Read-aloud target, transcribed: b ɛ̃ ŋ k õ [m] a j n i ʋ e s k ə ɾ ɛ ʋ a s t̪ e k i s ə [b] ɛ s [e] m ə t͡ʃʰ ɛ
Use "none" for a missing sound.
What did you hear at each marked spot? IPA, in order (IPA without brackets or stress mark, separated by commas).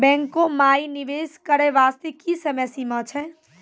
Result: m, m, i